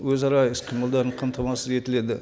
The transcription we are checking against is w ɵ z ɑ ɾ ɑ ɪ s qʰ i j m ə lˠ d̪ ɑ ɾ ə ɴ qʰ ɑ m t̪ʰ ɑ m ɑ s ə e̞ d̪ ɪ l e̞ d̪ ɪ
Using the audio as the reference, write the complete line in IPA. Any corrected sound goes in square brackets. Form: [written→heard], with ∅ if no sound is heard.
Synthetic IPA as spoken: w ɵ z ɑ ɾ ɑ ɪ s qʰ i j m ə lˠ d̪ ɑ ɾ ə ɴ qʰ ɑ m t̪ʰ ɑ m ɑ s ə e̞ [d̪→t̪] ɪ l e̞ d̪ ɪ

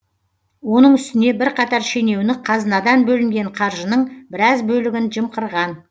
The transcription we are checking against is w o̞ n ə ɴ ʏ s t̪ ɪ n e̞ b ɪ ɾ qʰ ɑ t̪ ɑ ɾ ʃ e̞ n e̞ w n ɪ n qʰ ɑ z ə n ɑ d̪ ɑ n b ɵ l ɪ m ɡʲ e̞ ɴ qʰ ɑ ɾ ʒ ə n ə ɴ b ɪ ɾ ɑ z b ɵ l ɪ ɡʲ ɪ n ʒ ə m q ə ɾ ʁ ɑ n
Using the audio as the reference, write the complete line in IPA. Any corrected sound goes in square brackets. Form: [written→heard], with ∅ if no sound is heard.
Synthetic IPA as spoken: w o̞ n ə ɴ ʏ s t̪ ɪ n e̞ b ɪ ɾ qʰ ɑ t̪ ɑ ɾ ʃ e̞ n e̞ w n ɪ [n→∅] qʰ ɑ z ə n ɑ d̪ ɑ n b ɵ l ɪ m ɡʲ e̞ ɴ qʰ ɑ ɾ ʒ ə n ə ɴ b ɪ ɾ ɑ z b ɵ l ɪ ɡʲ ɪ n ʒ ə m q ə ɾ ʁ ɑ n

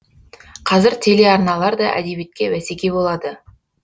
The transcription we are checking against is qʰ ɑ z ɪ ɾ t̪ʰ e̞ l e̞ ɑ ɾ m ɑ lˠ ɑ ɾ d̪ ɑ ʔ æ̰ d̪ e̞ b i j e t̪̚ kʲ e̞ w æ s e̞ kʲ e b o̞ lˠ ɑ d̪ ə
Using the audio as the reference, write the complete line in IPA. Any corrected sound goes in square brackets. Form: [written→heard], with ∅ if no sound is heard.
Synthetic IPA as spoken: qʰ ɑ z ɪ ɾ t̪ʰ e̞ l e̞ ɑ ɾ [m→n] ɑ lˠ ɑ ɾ d̪ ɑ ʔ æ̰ d̪ e̞ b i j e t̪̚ kʲ e̞ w æ s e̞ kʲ e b o̞ lˠ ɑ d̪ ə

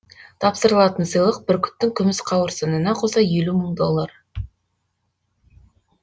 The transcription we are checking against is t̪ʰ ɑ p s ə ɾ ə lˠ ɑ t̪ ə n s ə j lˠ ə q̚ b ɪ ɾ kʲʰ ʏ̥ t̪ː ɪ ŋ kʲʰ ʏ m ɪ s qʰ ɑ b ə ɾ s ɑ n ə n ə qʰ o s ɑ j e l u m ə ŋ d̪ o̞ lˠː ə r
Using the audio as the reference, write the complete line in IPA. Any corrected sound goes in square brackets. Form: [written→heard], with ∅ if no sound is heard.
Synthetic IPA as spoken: t̪ʰ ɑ p s ə ɾ ə lˠ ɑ t̪ ə n s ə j lˠ ə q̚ b ɪ ɾ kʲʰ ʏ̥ t̪ː ɪ ŋ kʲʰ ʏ m ɪ s qʰ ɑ [b→w] ə ɾ s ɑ n ə n [ə→ɑ] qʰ o s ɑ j e l u m ə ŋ d̪ o̞ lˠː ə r

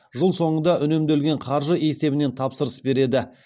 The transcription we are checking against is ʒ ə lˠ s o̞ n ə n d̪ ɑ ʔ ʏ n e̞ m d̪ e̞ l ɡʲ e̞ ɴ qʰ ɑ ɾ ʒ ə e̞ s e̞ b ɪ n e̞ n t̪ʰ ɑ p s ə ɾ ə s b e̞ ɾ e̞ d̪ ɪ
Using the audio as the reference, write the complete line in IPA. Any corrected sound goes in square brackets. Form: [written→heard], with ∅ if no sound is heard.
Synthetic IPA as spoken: ʒ ə lˠ s o̞ [n→ɴ] ə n d̪ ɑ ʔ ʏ n e̞ m d̪ e̞ l ɡʲ e̞ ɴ qʰ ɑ ɾ ʒ ə e̞ s e̞ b ɪ n e̞ n t̪ʰ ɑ p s ə ɾ ə s b e̞ ɾ e̞ d̪ ɪ

